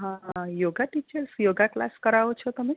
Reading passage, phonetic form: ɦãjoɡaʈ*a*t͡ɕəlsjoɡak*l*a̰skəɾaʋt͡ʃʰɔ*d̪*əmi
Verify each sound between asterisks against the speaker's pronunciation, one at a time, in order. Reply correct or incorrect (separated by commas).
incorrect, correct, incorrect